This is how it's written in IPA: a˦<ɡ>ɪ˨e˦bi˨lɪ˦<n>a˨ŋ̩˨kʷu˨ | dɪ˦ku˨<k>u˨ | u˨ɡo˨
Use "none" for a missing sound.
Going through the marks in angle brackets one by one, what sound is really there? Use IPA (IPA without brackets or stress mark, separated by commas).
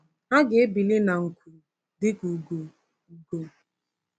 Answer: ɡ, n, ɡ